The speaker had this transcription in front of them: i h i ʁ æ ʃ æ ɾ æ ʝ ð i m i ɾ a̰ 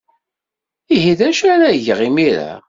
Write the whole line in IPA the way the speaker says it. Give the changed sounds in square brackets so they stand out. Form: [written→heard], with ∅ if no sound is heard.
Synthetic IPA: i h i [ʁ→ð] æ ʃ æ ɾ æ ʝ [ð→ʁ] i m i ɾ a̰